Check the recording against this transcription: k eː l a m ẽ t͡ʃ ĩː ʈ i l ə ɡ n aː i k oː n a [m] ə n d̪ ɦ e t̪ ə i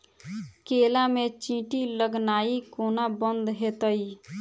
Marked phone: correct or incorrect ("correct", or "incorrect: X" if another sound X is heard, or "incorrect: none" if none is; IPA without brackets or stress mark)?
incorrect: b